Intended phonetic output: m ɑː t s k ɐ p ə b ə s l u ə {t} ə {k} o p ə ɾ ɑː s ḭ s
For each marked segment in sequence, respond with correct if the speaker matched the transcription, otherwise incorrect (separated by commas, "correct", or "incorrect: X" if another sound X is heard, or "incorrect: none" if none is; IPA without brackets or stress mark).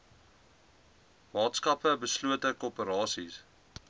correct, correct